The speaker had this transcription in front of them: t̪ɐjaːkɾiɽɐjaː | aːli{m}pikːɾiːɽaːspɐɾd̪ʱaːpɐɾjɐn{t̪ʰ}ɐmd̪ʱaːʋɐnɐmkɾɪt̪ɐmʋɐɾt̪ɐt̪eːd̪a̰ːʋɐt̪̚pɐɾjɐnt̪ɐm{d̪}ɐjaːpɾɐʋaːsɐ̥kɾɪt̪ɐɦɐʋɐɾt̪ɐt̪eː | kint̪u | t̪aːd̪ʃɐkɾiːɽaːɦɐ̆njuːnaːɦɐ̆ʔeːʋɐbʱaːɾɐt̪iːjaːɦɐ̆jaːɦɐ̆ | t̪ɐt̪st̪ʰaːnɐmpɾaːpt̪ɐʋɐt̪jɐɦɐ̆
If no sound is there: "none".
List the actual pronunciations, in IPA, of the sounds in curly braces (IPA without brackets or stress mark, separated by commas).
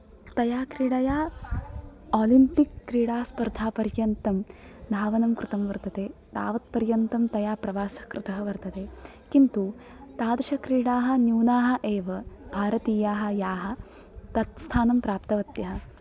m, t̪, t̪